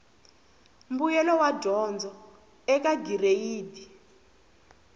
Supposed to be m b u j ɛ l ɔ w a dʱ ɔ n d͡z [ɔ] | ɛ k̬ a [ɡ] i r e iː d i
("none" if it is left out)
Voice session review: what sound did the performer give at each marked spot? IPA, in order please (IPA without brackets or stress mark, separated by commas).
ɔ, ɡ